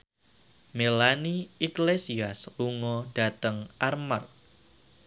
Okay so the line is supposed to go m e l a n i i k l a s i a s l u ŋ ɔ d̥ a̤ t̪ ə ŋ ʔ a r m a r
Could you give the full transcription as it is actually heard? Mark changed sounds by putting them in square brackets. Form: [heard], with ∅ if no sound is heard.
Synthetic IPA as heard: m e l a n i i k l [e] s i a s l u ŋ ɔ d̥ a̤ t̪ ə ŋ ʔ a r m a r